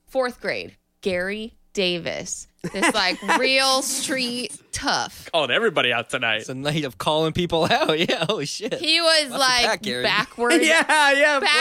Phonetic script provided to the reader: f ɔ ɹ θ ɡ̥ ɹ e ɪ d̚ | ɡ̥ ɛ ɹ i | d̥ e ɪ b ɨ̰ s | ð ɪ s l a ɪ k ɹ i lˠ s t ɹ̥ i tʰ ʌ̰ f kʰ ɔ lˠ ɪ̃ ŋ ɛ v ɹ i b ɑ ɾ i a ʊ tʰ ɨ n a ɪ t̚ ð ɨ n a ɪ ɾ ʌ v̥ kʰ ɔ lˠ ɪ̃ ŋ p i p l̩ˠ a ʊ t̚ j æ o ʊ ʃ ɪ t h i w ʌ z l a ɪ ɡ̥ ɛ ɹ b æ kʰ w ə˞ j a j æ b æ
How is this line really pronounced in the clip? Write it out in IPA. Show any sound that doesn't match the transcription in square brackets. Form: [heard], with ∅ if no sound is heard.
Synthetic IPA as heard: f ɔ ɹ θ ɡ̥ ɹ e ɪ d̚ | ɡ̥ ɛ ɹ i | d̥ e ɪ [v] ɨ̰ s | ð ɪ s l a ɪ k ɹ i lˠ s t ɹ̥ i tʰ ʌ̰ f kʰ ɔ lˠ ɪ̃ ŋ ɛ v ɹ i b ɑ ɾ i a ʊ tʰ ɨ n a ɪ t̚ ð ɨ n a ɪ ɾ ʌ v̥ kʰ ɔ lˠ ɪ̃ ŋ p i p l̩ˠ a ʊ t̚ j æ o ʊ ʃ ɪ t h i w ʌ z l a ɪ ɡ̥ ɛ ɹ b æ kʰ w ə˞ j [æ] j æ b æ